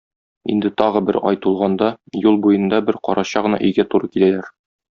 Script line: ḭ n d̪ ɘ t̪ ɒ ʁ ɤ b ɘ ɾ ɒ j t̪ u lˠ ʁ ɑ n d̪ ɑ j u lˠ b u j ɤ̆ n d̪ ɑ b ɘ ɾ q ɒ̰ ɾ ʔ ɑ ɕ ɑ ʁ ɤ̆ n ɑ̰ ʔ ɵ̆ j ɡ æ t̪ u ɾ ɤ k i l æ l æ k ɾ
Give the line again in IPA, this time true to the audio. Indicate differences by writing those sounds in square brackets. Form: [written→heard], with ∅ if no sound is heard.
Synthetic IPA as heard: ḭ n d̪ ɘ t̪ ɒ ʁ ɤ b ɘ ɾ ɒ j t̪ u lˠ ʁ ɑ n d̪ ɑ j u lˠ b u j ɤ̆ n d̪ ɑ b ɘ ɾ q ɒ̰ ɾ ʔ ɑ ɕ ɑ ʁ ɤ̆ n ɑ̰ ʔ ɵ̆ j ɡ æ t̪ u ɾ ɤ k i l æ l æ [k→∅] ɾ